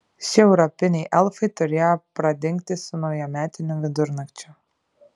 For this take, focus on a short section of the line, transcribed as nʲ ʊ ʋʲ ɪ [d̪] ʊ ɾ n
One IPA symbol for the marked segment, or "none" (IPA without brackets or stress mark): d̪